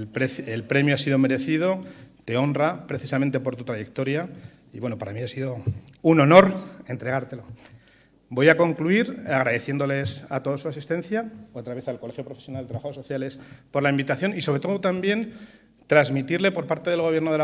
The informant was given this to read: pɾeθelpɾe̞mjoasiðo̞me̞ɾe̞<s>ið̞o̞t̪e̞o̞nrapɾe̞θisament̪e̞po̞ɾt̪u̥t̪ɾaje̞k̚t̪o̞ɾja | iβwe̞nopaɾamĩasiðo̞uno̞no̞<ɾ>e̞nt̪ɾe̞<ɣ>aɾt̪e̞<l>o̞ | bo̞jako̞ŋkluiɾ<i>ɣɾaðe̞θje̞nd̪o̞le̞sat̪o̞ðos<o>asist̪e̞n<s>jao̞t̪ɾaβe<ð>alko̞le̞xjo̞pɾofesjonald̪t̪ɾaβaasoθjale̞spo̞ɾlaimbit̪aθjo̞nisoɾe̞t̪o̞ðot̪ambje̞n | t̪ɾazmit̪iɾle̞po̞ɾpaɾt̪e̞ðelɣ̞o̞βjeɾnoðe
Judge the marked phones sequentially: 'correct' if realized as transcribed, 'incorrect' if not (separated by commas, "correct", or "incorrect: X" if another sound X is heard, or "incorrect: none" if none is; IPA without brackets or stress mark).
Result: incorrect: θ, correct, correct, correct, incorrect: a, incorrect: u, incorrect: θ, incorrect: θ